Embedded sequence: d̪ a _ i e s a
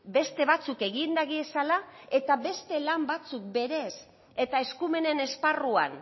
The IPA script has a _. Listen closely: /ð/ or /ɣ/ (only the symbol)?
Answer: ɣ